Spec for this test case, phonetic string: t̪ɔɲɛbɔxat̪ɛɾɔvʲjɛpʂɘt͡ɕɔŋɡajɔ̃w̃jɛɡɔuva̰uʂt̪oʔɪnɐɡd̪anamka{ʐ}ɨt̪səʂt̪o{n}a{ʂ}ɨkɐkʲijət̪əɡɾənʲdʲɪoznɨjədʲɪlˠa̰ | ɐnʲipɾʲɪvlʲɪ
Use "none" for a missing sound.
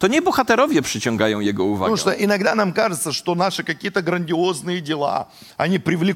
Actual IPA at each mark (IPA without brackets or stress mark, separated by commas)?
ʐ, n, ʂ